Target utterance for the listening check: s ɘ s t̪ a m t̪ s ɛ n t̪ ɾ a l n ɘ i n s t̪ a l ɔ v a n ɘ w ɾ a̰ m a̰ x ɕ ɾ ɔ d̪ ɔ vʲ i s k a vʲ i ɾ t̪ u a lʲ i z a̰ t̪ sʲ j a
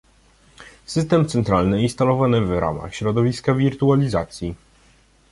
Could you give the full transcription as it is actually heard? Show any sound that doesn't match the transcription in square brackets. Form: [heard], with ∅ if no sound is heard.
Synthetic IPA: s ɘ s t̪ [ɛ] m t̪ s ɛ n t̪ ɾ a l n ɘ i n s t̪ a l ɔ v a n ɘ [v] ɾ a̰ m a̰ x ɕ ɾ ɔ d̪ ɔ vʲ i s k a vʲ i ɾ t̪ u a lʲ i z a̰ t̪ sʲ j [i]